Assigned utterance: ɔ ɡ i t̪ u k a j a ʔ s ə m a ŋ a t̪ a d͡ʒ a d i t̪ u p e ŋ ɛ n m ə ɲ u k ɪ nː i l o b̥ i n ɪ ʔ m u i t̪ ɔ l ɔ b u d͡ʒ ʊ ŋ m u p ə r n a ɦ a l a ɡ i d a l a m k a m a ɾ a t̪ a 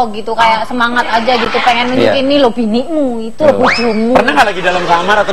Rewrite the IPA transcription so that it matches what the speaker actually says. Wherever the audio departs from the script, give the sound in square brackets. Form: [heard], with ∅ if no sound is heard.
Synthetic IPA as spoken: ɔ ɡ i t̪ u k a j a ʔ s ə m a ŋ a t̪ a d͡ʒ a [ɡ] i t̪ u p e ŋ ɛ n m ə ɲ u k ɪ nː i l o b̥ i n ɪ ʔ m u i t̪ [u] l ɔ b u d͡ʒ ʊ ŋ m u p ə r n a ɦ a l a ɡ i d a l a m k a m a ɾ a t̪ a